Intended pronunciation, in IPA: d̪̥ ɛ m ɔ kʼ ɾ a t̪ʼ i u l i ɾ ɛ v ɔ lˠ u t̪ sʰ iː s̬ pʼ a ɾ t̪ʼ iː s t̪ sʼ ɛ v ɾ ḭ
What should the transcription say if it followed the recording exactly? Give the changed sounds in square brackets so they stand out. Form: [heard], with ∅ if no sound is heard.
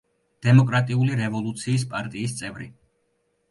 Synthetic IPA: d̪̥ ɛ m ɔ kʼ ɾ a t̪ʼ i u l i ɾ ɛ v ɔ lˠ u t̪ sʰ iː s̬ pʼ a ɾ t̪ʼ iː s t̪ sʼ ɛ v ɾ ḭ